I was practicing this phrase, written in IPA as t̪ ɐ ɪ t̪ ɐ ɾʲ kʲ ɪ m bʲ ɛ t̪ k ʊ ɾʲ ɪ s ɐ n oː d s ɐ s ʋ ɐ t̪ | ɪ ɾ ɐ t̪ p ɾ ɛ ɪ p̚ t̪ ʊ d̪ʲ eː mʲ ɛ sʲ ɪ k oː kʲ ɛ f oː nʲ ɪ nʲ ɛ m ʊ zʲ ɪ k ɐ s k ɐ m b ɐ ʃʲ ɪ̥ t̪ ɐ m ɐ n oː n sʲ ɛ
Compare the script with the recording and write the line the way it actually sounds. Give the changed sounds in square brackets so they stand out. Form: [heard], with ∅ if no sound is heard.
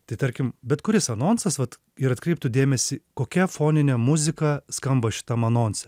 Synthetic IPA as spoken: t̪ ɐ ɪ t̪ ɐ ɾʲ kʲ ɪ m bʲ ɛ t̪ k ʊ ɾʲ ɪ s ɐ n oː [n] s ɐ s ʋ ɐ t̪ | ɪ ɾ ɐ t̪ [k] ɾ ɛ ɪ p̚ t̪ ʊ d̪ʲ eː mʲ ɛ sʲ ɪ k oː kʲ ɛ f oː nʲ ɪ nʲ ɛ m ʊ zʲ ɪ k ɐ s k ɐ m b ɐ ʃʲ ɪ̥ t̪ ɐ m ɐ n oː n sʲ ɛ